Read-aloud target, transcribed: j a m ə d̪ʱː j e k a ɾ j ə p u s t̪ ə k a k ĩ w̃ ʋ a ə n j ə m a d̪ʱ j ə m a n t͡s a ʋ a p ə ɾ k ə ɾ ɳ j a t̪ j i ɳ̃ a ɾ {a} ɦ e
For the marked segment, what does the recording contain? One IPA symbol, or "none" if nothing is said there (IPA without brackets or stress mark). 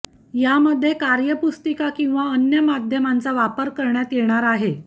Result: a